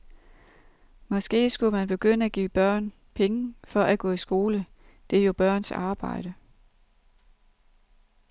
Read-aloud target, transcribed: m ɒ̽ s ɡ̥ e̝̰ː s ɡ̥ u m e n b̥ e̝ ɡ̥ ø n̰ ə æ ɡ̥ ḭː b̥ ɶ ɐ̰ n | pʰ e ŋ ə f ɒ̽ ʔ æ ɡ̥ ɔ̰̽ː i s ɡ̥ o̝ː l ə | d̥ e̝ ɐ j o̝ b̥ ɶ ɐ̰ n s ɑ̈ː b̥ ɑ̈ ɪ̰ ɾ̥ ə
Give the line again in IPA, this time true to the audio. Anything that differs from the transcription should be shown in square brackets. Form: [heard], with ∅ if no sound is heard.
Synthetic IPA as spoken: m ɒ̽ s ɡ̥ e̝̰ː s ɡ̥ u m [æ] n b̥ e̝ ɡ̥ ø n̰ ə æ ɡ̥ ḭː b̥ ɶ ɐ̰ n | pʰ e ŋ ə f ɒ̽ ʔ æ ɡ̥ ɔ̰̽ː i s ɡ̥ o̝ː l ə | d̥ e̝ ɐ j o̝ b̥ ɶ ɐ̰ n s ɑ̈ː b̥ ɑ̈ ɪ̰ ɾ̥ ə